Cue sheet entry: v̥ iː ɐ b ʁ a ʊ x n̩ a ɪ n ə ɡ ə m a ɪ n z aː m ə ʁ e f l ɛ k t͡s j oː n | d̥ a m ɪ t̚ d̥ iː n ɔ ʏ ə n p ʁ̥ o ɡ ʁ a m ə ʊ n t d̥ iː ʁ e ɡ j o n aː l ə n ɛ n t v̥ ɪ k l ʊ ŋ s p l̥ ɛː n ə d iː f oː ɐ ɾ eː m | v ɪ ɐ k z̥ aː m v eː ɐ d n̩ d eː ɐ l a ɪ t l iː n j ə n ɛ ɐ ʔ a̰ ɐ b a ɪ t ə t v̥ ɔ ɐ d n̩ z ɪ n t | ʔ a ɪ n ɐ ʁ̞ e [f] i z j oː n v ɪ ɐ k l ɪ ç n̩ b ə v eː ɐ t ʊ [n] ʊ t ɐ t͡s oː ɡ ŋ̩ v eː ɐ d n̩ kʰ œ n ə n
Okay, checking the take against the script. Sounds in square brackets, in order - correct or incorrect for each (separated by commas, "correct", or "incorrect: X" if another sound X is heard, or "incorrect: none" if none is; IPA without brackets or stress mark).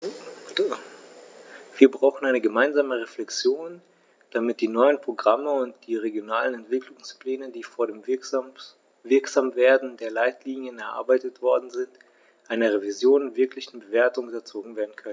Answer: incorrect: v, incorrect: ŋ